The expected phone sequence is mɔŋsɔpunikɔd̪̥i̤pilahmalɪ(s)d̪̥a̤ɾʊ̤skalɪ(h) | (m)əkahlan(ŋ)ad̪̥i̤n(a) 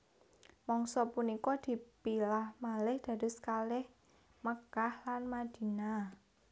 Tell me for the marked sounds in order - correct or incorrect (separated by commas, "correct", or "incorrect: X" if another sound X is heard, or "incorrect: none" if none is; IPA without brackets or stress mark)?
incorrect: h, correct, correct, incorrect: m, correct